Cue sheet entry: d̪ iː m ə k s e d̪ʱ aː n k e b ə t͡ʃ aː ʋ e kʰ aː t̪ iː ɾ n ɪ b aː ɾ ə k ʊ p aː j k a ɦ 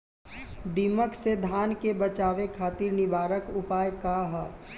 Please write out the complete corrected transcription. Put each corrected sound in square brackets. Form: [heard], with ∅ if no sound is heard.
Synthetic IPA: d̪ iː m ə k s e d̪ʱ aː n k e b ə t͡ʃ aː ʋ e kʰ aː t̪ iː ɾ n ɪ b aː ɾ ə k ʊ p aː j k a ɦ